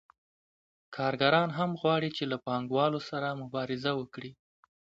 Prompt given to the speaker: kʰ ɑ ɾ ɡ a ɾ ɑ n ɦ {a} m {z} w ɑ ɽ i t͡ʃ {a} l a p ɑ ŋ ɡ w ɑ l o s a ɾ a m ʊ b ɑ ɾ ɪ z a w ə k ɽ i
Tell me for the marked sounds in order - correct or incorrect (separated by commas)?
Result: correct, incorrect, incorrect